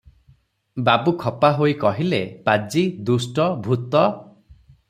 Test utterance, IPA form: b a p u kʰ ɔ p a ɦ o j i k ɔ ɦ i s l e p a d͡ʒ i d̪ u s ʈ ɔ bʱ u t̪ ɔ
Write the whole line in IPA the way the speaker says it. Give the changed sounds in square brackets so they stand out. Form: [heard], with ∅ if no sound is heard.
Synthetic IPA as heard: b a [b] u kʰ ɔ p a ɦ o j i k ɔ ɦ i [∅] l e p a d͡ʒ i d̪ u s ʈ ɔ bʱ u t̪ ɔ